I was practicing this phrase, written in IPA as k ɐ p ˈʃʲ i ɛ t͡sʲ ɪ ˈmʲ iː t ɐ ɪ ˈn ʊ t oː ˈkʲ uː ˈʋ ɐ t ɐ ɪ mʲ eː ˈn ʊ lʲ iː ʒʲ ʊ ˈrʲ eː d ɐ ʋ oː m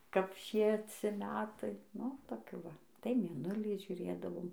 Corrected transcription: k ɐ p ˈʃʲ i ɛ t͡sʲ ɪ ˈmʲ æː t ɐ ɪ ˈn ʊ t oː ˈkʲ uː ˈʋ ɐ t ɐ ɪ mʲ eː ˈn ʊ lʲ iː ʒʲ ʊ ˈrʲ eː d ɐ ʋ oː m

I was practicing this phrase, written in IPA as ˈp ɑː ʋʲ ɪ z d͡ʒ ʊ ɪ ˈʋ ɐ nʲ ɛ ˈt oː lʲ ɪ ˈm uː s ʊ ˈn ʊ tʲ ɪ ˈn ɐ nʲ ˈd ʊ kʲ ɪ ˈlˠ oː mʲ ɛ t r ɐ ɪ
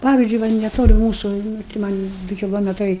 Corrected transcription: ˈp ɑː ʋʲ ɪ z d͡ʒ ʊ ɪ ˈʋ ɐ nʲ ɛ ˈt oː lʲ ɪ ˈm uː s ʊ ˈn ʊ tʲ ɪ ˈm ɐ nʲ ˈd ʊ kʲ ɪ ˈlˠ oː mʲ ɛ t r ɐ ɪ

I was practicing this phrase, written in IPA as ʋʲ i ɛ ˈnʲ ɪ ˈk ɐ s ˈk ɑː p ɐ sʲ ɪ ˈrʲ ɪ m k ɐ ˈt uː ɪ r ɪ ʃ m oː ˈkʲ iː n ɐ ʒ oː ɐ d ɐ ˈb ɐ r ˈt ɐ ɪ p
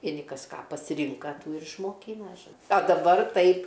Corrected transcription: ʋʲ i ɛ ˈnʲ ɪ ˈk ɐ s ˈk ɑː p ɐ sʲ ɪ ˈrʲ ɪ ŋ k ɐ ˈt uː ɪ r ɪ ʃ m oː ˈkʲ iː n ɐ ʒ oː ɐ d ɐ ˈb ɐ r ˈt ɐ ɪ p

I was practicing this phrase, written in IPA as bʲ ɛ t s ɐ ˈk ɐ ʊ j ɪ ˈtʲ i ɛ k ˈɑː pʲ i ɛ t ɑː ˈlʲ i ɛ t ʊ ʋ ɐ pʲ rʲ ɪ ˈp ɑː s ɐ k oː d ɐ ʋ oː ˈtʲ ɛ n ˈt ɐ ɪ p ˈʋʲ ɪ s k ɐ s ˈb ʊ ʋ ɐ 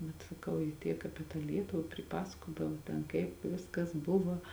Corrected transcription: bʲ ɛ t s ɐ ˈk ɐ ʊ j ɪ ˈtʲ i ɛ k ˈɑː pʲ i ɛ t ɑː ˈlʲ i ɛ t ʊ ʋ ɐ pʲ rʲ ɪ ˈp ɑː s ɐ k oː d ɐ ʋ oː ˈtʲ ɛ n ˈk ɐ ɪ p ˈʋʲ ɪ s k ɐ s ˈb ʊ ʋ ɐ

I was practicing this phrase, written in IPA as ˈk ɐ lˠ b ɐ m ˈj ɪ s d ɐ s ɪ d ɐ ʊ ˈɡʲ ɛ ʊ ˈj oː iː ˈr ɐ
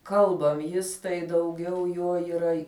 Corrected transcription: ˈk ɐ lˠ b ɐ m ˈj ɪ s t ɐ ɪ d ɐ ʊ ˈɡʲ ɛ ʊ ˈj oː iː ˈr ɐ

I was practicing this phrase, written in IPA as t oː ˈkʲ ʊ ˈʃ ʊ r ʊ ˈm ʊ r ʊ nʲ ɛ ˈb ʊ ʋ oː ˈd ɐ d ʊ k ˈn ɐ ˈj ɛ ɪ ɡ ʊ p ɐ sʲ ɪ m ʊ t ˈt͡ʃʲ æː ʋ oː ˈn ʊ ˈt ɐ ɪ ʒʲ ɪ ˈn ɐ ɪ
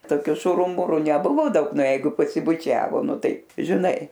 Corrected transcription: t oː ˈkʲ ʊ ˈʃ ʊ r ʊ ˈm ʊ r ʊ nʲ ɛ ˈb ʊ ʋ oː ˈd ɐ ʊ k ˈn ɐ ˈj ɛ ɪ ɡ ʊ p ɐ sʲ ɪ b ʊ ˈt͡ʃʲ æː ʋ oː ˈn ʊ ˈt ɐ ɪ ʒʲ ɪ ˈn ɐ ɪ

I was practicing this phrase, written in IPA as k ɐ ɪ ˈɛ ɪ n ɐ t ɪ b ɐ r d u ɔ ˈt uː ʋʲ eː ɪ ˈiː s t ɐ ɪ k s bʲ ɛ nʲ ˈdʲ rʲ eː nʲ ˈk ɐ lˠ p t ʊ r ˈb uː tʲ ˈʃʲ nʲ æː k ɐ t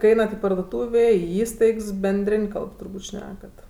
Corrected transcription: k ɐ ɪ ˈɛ ɪ n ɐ t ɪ p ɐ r d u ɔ ˈt uː ʋʲ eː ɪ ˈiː s t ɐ ɪ k s bʲ ɛ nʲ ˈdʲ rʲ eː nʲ ˈk ɐ lˠ p t ʊ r ˈb uː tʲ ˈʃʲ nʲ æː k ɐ t

